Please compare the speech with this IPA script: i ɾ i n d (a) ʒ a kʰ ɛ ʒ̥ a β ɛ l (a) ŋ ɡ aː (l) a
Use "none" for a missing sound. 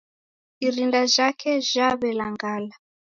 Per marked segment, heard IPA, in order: a, a, l

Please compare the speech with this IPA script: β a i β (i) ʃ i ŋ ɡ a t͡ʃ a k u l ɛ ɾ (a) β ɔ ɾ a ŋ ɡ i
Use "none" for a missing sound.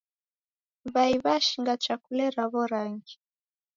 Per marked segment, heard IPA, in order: a, a

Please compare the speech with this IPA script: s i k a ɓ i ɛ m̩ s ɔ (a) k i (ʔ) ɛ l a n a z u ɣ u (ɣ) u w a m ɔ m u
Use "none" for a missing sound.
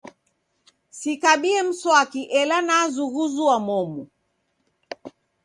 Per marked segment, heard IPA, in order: a, ʔ, z

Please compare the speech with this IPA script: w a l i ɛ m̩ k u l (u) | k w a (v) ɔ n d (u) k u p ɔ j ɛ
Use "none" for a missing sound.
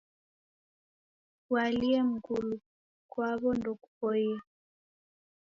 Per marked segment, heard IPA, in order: u, β, ɔ

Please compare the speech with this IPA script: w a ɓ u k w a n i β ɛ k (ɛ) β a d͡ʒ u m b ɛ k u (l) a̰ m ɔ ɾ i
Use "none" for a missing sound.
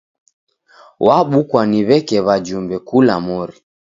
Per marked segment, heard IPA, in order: ɛ, l

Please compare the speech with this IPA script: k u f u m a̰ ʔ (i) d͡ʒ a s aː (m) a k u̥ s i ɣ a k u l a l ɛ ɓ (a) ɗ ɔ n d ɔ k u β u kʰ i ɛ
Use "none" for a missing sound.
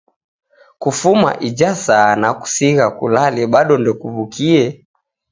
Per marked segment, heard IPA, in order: i, n, a

